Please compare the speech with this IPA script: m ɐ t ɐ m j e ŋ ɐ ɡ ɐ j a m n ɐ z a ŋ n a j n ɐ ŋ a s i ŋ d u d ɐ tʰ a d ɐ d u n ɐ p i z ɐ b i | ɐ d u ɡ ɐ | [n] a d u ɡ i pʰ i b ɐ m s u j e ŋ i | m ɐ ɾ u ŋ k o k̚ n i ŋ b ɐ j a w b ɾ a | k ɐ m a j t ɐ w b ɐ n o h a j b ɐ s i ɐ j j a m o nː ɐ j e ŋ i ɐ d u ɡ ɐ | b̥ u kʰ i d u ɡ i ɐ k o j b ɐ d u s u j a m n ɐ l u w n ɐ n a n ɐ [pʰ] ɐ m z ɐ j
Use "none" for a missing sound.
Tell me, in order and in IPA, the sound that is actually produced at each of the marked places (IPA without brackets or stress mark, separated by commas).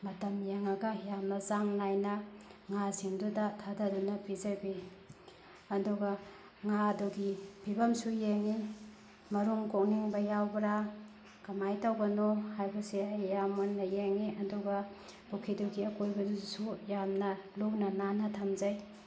ŋ, tʰ